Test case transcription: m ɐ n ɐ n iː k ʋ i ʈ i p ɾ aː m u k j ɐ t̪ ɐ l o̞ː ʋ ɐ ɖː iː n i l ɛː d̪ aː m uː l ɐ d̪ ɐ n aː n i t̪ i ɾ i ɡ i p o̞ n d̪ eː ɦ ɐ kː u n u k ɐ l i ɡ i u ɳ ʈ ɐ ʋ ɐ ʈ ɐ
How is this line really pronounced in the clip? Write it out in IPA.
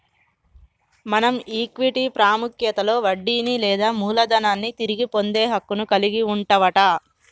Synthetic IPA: m ɐ n ɐ m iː k ʋ i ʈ i p ɾ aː m u k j ɐ t̪ ɐ l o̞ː ʋ ɐ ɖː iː n i l ɛː d̪ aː m uː l ɐ d̪ ɐ n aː nː i t̪ i ɾ i ɡ i p o̞ n d̪ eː ɦ ɐ kː u n u k ɐ l i ɡ i u ɳ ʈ ɐ ʋ ɐ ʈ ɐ